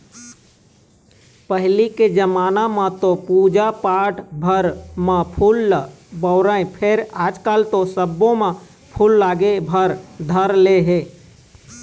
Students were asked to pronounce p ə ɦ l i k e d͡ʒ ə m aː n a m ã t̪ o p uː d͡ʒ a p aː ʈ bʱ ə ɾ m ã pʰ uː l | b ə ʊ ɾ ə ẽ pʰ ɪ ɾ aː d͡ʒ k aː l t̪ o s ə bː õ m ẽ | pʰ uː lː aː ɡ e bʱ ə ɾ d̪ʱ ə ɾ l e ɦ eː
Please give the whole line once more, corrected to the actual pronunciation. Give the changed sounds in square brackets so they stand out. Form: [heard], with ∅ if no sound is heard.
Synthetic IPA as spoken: p ə ɦ l i k e d͡ʒ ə m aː n a m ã t̪ o p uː d͡ʒ a p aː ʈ bʱ ə ɾ m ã pʰ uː l | b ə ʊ ɾ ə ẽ pʰ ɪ ɾ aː d͡ʒ k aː l t̪ o s ə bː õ m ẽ | pʰ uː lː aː ɡ e bʱ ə ɾ d̪ʱ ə ɾ l e ɦ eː